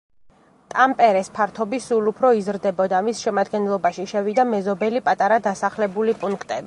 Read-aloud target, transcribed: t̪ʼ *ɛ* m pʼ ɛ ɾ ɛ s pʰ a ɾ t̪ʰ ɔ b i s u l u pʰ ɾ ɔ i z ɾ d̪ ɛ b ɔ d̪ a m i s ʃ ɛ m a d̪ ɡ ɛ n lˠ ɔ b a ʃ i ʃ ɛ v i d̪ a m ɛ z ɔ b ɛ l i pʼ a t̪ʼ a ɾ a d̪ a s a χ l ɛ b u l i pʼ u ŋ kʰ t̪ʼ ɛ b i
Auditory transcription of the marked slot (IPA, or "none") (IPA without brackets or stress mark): a